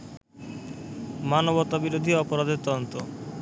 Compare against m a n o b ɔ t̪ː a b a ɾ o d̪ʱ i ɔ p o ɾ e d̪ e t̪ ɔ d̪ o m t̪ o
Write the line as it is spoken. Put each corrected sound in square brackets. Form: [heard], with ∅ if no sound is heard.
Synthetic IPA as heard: m a n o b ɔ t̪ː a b [i] ɾ o d̪ʱ i ɔ p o ɾ [a] d̪ e t̪ ɔ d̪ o [n] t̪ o